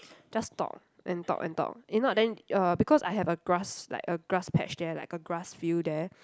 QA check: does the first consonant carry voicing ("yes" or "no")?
yes